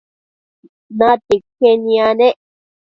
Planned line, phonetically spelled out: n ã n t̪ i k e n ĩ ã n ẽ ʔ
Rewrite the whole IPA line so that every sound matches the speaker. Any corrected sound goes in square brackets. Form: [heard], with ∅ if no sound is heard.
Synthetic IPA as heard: n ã [∅] t̪ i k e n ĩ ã n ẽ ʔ